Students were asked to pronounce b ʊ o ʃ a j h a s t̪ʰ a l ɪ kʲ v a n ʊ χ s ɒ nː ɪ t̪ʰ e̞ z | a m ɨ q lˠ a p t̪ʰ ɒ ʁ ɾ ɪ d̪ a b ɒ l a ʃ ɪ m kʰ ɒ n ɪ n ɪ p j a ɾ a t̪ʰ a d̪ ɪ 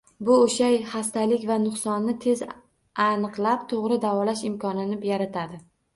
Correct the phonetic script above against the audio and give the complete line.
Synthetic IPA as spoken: b ʊ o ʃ a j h a s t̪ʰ a l ɪ kʲ v a n ʊ χ s ɒ nː ɪ t̪ʰ e̞ z | a n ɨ q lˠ a p t̪ʰ o ʁ ɾ ɪ d̪ a v ɒ l a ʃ ɪ m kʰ ɒ n ɪ n ɪ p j a ɾ a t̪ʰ a d̪ ɪ